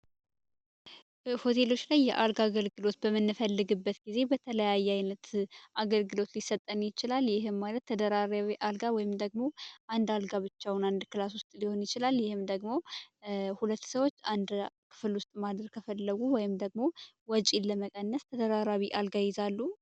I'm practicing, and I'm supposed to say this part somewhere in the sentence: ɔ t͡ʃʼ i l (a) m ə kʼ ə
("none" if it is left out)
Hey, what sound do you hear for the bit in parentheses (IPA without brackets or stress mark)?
ə